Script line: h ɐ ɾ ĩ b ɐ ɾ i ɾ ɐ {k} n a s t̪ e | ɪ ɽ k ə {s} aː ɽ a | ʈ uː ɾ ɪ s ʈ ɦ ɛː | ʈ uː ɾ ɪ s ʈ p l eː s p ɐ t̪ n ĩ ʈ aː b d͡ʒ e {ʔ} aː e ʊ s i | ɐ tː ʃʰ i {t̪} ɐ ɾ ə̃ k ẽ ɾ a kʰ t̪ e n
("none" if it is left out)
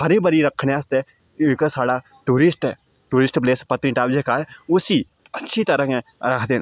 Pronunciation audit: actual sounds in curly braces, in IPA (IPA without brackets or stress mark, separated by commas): kʰ, s, k, t̪